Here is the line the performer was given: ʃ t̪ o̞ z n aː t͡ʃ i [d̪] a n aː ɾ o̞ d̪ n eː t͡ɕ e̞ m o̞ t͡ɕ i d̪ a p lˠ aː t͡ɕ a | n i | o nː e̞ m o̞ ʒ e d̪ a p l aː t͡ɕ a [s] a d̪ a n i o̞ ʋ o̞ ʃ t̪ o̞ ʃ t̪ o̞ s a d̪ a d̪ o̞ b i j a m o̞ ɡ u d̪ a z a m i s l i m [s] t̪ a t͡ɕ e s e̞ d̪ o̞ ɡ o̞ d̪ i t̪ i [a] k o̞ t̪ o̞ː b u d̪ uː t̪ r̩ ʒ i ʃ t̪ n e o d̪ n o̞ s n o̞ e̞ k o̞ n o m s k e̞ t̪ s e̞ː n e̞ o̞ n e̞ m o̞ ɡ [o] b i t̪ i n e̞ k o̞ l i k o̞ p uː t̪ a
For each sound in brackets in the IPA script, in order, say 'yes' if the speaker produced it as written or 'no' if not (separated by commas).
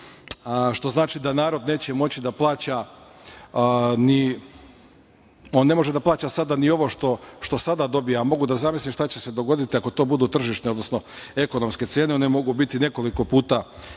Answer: yes, yes, no, yes, no